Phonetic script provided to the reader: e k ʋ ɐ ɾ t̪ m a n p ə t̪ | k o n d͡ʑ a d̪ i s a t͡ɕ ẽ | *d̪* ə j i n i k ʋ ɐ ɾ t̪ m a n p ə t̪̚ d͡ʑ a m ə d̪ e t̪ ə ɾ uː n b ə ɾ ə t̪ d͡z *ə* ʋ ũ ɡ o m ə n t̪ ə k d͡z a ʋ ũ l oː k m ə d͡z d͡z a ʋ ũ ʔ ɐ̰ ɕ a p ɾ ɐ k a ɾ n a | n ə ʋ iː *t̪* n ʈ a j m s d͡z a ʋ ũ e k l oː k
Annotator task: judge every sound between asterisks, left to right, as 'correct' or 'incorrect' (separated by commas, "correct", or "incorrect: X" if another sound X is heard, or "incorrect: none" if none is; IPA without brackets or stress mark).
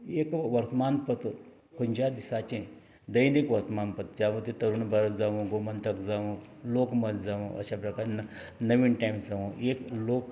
correct, incorrect: a, incorrect: none